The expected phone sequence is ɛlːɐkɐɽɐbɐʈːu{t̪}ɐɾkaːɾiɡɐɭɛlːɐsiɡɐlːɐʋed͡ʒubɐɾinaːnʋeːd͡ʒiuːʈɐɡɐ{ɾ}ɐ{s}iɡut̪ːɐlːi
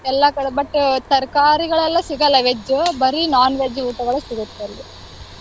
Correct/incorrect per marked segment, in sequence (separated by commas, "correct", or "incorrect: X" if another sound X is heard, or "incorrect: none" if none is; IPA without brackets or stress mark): correct, incorrect: ɭ, correct